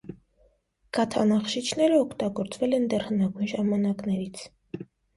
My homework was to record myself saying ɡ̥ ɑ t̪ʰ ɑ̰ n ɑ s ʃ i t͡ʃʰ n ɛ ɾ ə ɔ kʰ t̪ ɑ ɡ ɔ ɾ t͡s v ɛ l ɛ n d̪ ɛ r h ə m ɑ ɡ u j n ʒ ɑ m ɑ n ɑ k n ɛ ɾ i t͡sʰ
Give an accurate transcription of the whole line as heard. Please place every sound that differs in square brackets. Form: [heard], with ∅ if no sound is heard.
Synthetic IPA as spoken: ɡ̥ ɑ t̪ʰ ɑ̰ n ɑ [χ] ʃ i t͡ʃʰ n ɛ ɾ ə ɔ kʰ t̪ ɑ ɡ ɔ ɾ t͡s v ɛ l ɛ n d̪ ɛ r h ə [n] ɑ ɡ u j n ʒ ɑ m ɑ n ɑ k n ɛ ɾ i t͡sʰ